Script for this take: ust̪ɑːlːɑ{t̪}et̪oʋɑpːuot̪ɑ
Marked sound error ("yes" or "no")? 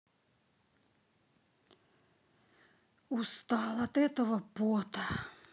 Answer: no